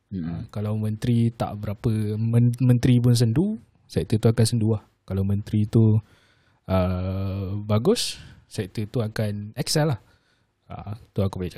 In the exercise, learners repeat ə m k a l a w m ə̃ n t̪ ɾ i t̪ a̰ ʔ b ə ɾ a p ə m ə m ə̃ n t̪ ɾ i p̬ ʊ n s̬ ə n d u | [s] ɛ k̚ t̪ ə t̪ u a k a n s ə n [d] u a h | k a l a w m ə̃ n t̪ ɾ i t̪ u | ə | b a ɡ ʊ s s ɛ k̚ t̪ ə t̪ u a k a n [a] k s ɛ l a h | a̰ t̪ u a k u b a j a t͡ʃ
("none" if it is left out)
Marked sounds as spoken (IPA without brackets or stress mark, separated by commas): s, d, ɛ